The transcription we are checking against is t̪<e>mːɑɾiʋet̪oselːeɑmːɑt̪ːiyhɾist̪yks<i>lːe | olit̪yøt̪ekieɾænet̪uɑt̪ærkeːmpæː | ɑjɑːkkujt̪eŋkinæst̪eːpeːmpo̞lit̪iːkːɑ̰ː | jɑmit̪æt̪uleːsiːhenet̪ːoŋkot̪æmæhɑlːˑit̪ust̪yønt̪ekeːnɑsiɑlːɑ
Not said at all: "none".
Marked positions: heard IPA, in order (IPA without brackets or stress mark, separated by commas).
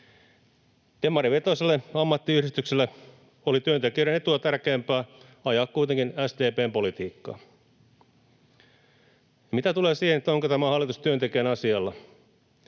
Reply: e, e